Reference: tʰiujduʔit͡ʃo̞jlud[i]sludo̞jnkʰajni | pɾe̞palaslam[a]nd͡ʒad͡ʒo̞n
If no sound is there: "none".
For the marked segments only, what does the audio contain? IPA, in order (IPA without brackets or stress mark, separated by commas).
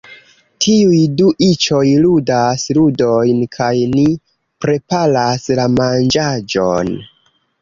a, a